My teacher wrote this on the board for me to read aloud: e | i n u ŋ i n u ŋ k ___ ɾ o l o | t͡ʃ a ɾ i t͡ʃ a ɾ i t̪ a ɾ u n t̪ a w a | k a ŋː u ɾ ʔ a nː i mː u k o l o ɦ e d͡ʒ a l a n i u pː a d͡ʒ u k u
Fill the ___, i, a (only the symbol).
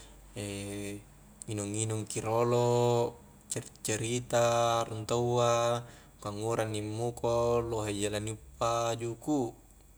i